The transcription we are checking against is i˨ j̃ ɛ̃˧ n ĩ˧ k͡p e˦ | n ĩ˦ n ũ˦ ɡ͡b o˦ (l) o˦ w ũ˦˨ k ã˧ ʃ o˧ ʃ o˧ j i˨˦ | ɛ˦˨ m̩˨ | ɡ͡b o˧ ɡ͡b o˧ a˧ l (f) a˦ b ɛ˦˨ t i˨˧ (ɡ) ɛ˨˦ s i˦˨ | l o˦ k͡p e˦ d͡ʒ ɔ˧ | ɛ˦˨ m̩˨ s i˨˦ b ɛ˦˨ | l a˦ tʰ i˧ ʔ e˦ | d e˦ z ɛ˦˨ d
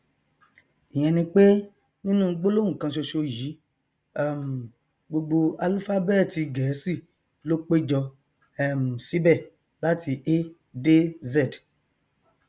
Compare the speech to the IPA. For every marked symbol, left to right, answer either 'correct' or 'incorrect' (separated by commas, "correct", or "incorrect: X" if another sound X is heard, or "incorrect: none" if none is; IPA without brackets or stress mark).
correct, correct, correct